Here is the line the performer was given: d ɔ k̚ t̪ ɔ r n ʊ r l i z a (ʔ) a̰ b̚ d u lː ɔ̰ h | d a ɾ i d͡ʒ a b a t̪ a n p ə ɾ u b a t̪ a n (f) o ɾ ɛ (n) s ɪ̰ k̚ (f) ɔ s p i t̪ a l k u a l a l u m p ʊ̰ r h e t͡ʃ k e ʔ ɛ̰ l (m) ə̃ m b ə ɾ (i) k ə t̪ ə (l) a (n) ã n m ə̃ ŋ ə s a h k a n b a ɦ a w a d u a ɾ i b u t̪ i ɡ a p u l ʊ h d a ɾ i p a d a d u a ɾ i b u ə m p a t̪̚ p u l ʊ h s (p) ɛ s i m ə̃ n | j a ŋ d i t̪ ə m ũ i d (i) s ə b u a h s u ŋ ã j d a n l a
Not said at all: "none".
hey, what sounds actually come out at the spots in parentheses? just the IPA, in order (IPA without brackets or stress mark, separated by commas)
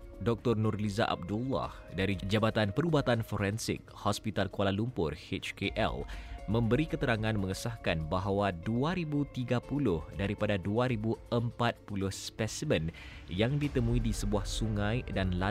ʔ, f, n, h, m, i, ɾ, ŋ, p, i